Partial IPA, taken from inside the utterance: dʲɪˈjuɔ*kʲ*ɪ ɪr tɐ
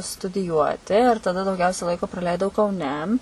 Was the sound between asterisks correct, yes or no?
no